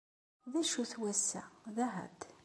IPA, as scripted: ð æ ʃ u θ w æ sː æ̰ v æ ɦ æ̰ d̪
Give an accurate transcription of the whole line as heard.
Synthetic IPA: ð æ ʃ u θ w æ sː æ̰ ð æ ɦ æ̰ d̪